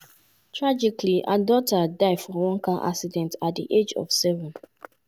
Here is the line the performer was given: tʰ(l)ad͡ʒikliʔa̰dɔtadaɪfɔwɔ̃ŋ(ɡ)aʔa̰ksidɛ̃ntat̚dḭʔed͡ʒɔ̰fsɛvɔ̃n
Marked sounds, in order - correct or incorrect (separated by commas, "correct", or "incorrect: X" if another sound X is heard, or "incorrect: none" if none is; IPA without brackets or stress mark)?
incorrect: ɹ, incorrect: k